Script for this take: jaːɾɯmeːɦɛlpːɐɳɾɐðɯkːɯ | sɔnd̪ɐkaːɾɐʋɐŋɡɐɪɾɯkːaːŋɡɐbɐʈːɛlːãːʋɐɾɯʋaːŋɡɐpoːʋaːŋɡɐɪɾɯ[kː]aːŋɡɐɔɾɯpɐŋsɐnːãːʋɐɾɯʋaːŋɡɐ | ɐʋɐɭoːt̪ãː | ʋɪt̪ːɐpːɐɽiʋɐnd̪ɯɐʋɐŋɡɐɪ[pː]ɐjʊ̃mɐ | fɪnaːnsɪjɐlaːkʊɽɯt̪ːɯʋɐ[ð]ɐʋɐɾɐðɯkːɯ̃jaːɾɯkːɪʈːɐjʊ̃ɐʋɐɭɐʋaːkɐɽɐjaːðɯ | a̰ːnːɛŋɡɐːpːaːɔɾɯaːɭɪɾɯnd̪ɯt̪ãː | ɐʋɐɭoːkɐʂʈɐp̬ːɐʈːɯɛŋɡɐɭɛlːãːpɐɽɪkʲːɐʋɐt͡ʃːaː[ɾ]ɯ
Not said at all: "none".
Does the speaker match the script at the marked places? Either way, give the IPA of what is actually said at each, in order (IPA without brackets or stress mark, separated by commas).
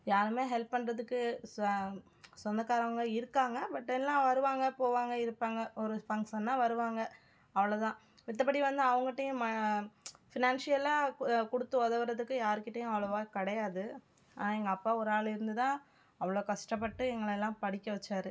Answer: pː, ʈː, ð, ɾ